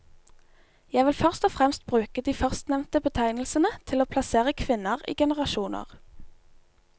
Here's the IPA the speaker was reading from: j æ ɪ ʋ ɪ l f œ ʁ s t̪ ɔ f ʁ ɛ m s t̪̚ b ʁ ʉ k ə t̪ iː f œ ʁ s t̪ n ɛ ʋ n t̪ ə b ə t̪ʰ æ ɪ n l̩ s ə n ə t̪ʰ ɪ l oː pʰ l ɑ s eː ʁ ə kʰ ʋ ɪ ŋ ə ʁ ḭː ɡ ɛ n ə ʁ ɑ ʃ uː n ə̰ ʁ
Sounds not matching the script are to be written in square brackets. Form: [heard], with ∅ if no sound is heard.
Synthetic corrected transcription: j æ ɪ ʋ ɪ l f œ ʁ s t̪ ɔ f ʁ ɛ m s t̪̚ b ʁ [ʉː] k ə [d̪] iː f œ ʁ s t̪ n ɛ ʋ n t̪ ə b ə t̪ʰ æ ɪ n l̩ s ə n ə t̪ʰ ɪ l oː pʰ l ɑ s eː ʁ ə kʰ ʋ ɪ [n] ə ʁ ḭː ɡ ɛ n ə ʁ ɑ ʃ uː n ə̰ ʁ